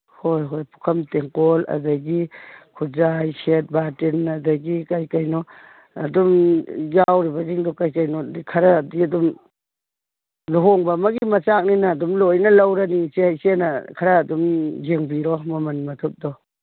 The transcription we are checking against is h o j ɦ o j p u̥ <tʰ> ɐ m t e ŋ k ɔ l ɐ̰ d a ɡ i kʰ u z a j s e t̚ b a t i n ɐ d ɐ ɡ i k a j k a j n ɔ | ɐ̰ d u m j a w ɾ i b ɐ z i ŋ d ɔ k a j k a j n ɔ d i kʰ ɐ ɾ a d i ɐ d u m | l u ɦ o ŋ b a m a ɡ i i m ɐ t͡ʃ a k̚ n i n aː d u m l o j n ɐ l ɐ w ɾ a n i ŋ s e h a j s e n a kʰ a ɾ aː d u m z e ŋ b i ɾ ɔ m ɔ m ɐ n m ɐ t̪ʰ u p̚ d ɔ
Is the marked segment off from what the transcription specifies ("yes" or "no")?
yes